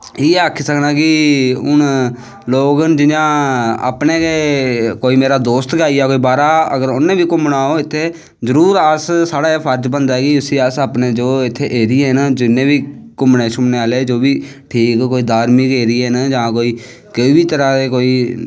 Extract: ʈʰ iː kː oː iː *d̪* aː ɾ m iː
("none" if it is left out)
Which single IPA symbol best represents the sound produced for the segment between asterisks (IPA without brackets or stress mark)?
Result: d̪